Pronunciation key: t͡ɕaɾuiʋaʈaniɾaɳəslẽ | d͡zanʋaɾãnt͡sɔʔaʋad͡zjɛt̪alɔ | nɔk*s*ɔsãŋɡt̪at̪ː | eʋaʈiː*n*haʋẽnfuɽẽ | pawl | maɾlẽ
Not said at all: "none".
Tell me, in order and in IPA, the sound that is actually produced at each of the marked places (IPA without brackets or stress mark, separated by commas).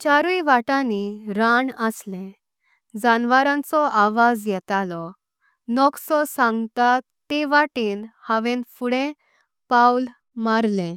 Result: s, n